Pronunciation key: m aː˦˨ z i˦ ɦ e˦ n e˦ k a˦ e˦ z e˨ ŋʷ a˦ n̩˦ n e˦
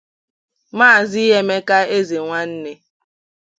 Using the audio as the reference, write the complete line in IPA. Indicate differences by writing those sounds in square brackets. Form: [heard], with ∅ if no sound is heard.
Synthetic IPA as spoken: m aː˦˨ z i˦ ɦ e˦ [m] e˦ k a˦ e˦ z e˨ ŋʷ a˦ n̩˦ n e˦